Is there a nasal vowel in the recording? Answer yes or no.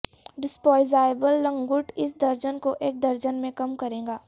yes